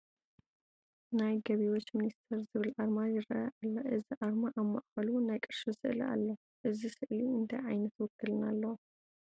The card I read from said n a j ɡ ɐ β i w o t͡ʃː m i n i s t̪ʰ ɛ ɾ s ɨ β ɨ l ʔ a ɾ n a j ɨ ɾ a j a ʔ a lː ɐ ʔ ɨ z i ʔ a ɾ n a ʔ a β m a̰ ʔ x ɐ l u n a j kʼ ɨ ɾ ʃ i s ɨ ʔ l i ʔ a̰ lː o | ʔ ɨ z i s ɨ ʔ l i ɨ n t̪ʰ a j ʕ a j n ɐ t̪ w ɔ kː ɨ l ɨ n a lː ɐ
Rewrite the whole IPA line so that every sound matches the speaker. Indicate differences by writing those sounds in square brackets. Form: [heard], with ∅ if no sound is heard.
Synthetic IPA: n a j ɡ ɐ β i w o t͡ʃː m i n i s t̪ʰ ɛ ɾ [z] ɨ β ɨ l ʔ a ɾ [m] a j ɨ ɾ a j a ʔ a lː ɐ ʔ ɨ z i ʔ a ɾ [m] a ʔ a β m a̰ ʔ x ɐ l u n a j kʼ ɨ ɾ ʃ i s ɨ ʔ l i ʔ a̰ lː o | ʔ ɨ z i s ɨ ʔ l i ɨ n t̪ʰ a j ʕ a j n ɐ t̪ w ɔ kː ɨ l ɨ n a lː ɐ